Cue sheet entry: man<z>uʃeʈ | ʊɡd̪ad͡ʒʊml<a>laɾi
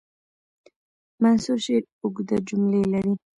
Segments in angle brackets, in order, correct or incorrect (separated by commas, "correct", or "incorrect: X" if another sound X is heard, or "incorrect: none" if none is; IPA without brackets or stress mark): incorrect: s, incorrect: e